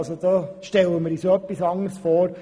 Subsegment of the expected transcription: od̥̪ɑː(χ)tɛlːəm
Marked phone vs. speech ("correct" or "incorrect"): incorrect